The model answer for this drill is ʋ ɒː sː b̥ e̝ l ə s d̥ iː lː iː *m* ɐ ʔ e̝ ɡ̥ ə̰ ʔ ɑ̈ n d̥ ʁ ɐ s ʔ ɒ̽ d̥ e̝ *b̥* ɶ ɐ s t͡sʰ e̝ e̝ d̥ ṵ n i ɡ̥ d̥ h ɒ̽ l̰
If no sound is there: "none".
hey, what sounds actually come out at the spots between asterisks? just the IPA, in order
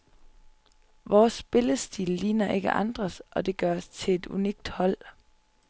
n, ɡ̥

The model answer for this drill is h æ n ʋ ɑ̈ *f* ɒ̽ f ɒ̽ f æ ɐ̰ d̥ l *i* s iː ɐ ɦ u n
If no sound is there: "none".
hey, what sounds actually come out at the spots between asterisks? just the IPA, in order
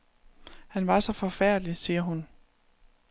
s, i

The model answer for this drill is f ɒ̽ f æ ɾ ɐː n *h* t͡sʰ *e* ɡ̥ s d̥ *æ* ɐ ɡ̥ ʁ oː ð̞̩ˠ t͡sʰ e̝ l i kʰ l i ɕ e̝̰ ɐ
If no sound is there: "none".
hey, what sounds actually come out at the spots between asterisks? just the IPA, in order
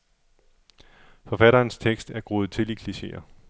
s, e, æ

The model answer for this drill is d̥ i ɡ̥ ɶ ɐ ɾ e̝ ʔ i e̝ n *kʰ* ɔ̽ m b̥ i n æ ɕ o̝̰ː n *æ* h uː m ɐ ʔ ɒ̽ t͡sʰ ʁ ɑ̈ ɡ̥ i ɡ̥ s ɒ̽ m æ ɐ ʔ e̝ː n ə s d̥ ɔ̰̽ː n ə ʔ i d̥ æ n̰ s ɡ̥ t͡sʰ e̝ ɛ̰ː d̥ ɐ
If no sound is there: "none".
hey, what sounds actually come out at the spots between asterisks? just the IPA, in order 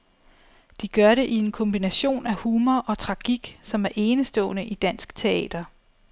kʰ, æ

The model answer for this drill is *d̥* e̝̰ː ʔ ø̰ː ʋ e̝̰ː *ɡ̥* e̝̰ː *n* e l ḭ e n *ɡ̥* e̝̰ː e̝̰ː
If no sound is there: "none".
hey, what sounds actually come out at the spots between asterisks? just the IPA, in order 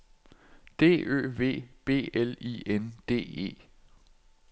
d̥, b̥, none, d̥

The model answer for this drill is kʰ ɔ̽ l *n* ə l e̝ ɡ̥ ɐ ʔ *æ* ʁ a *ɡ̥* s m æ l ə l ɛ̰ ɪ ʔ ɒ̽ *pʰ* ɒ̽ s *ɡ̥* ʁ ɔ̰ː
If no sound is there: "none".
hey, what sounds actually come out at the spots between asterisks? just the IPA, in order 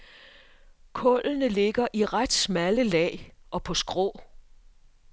n, i, d̥, pʰ, ɡ̥

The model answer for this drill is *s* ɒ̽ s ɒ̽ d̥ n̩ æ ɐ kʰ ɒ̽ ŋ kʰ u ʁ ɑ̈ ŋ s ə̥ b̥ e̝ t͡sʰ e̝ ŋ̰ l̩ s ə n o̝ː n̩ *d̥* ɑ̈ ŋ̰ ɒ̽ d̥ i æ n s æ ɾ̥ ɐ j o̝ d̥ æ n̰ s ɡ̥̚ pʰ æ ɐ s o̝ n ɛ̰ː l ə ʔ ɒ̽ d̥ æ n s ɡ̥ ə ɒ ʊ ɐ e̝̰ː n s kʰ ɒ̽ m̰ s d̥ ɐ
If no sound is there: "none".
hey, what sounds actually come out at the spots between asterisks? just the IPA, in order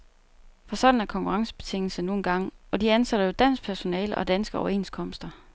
f, ɡ̥

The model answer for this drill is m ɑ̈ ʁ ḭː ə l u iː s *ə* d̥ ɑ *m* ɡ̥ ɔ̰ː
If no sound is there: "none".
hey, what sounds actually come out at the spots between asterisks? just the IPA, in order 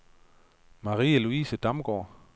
ə, m

